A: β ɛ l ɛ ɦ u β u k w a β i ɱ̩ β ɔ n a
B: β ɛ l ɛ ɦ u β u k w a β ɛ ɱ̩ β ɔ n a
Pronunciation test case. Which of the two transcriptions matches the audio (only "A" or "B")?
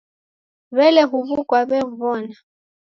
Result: B